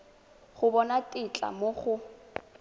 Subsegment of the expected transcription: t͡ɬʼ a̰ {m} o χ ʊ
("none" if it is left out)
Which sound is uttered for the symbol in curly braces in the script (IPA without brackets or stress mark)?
m